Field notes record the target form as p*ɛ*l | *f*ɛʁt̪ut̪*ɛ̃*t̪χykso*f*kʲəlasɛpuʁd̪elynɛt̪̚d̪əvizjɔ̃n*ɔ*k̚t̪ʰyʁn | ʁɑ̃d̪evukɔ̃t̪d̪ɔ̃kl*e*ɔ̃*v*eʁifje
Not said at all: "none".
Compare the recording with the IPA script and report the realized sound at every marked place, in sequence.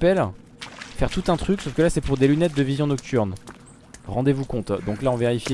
ɛ, f, ɛ̃, f, ɔ, a, v

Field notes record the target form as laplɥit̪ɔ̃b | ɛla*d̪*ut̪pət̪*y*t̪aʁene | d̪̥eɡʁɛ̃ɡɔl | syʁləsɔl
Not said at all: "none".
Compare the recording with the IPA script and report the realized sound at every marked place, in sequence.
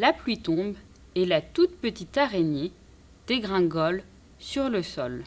t̪, i

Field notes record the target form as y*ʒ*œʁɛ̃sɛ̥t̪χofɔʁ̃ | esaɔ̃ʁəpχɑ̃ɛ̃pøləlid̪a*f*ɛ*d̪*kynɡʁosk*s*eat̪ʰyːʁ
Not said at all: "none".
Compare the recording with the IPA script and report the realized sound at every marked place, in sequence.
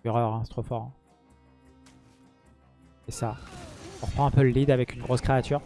ʁ, v, none, χ

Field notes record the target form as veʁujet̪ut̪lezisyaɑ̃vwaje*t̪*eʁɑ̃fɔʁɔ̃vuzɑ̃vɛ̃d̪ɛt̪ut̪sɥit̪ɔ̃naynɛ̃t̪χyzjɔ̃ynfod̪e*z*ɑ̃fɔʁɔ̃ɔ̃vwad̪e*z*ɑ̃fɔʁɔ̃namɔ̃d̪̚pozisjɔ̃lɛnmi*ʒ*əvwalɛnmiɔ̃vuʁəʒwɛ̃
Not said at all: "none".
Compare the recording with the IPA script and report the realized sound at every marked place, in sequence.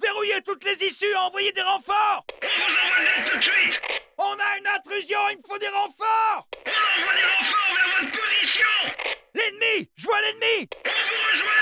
d̪, ʁ, ʁ, ʒ

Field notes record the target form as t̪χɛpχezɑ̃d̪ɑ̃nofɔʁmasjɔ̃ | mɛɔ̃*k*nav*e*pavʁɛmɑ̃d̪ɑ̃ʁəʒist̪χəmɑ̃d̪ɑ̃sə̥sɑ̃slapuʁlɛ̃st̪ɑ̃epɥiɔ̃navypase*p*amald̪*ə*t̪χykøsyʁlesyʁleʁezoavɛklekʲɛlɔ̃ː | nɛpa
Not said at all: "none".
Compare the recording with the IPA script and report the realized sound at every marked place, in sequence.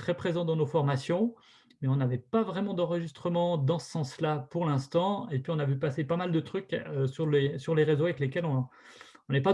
none, ɛ, p, ə

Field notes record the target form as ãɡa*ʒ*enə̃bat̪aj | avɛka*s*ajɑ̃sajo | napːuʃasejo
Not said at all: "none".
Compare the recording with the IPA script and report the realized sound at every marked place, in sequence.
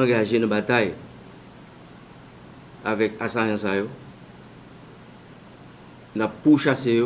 ʒ, s

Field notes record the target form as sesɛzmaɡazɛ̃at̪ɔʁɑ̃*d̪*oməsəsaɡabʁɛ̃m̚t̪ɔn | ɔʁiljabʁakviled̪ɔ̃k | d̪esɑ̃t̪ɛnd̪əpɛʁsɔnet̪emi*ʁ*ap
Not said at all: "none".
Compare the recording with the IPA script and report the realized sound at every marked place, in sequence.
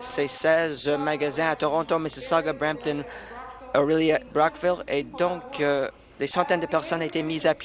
t̪, z

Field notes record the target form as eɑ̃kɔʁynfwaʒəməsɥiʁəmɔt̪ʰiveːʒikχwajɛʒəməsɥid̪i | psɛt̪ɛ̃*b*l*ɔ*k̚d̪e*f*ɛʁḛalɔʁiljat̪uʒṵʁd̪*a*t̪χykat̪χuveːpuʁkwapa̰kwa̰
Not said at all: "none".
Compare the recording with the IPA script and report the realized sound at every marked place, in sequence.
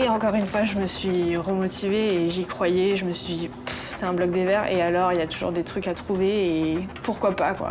b, ɔ, v, e

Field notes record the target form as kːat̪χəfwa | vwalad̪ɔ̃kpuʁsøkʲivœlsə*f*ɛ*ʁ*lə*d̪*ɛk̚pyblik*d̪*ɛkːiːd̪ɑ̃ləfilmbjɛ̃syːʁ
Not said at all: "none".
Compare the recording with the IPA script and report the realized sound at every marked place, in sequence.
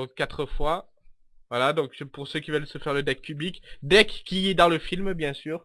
f, ʁ, d̪, d̪

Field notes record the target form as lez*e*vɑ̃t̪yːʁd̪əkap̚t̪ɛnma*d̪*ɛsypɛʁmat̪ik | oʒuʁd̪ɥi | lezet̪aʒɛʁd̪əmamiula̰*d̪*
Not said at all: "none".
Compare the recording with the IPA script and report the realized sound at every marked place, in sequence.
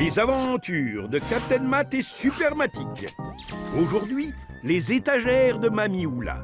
a, t̪, none

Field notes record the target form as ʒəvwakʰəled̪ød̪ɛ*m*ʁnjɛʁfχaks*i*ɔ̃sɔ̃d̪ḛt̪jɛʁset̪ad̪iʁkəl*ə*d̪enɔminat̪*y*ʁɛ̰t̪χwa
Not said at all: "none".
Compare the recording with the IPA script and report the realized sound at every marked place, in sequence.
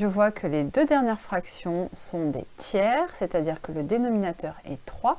none, j, ə, œ

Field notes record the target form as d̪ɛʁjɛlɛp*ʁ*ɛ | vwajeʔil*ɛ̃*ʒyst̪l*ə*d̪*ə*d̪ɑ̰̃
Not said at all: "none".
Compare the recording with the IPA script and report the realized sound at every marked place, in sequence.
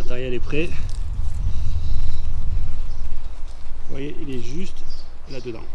χ, ɛ, a, ə

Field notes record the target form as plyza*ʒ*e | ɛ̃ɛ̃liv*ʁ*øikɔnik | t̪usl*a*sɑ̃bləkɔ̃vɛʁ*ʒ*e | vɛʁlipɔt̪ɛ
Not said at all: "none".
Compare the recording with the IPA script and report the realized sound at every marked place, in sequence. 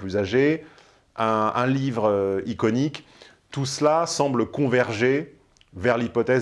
ʒ, ʁ, a, ʒ

